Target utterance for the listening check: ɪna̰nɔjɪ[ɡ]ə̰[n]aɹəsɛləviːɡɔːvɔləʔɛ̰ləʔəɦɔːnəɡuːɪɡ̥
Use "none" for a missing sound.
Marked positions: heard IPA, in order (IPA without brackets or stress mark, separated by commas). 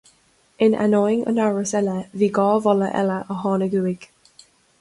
ŋ, n